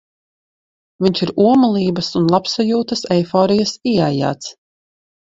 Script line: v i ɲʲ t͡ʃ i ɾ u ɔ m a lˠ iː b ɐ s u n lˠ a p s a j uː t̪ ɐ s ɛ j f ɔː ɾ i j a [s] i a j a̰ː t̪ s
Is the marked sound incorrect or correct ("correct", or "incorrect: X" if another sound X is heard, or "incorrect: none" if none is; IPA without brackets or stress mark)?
correct